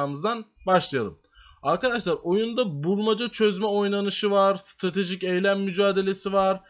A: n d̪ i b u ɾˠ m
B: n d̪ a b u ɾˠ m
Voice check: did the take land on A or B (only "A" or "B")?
B